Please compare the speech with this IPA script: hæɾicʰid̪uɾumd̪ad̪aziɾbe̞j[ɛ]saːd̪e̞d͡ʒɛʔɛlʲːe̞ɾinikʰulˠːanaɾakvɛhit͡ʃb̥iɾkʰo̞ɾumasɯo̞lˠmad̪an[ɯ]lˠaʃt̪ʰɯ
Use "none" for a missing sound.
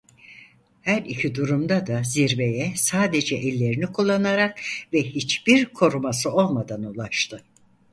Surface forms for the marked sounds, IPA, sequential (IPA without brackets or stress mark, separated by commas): ɛ, u